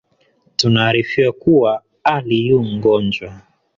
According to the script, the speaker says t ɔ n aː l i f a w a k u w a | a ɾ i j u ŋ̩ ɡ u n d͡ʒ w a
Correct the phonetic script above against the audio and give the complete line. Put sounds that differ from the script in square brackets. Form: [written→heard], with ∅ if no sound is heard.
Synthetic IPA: t [ɔ→u] n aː [l→ɾ] i f [a→i] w a k u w a | a [ɾ→l] i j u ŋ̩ ɡ [u→ɔ] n d͡ʒ w a